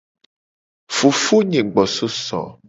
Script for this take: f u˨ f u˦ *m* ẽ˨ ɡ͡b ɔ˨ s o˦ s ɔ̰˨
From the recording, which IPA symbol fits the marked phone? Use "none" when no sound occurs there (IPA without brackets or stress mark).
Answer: ɲ